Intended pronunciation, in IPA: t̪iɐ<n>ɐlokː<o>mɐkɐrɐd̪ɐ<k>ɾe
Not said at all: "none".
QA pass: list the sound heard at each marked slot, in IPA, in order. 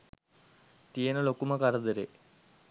n, u, none

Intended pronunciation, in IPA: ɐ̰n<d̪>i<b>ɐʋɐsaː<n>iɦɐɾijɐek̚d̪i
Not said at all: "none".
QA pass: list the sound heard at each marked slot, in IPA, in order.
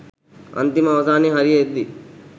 t̪, m, n

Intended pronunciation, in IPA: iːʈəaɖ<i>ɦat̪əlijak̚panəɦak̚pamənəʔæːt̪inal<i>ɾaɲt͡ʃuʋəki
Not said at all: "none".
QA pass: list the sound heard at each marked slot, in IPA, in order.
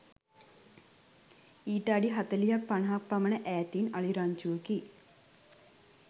i, i

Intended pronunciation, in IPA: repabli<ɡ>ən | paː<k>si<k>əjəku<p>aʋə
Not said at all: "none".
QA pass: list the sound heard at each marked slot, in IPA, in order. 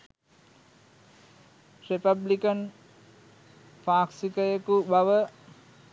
k, k, k, b

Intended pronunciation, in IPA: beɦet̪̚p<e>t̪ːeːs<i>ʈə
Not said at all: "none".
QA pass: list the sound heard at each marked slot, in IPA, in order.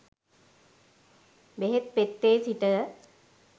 e, i

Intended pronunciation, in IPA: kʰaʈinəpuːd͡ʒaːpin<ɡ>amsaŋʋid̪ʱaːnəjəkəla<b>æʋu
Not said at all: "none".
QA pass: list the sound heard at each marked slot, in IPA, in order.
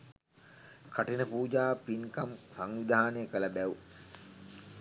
k, b

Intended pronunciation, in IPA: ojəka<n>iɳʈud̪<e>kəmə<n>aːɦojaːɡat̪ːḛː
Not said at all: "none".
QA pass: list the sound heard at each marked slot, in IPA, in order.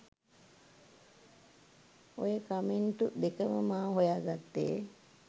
m, e, m

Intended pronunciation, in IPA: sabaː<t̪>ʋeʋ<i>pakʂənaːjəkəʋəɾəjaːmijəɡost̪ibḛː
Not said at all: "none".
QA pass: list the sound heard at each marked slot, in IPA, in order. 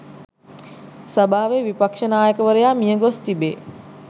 none, i

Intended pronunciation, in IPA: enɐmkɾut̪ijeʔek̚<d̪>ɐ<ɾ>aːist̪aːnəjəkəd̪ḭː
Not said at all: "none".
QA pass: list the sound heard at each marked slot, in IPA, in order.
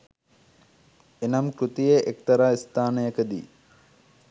t̪, ɾ

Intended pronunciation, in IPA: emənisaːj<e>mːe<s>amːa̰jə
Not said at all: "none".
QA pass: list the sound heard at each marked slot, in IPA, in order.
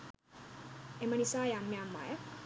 a, none

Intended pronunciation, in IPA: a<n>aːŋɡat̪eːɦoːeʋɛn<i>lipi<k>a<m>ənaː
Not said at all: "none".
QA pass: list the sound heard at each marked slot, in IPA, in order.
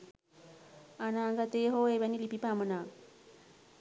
n, i, p, m

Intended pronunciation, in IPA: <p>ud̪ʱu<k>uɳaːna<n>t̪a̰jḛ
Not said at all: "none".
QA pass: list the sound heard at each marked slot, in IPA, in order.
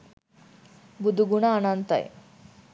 b, ɡ, n

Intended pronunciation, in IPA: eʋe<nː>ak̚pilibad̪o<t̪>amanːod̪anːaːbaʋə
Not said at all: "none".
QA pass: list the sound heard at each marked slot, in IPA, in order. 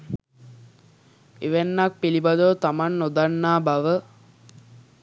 nː, t̪

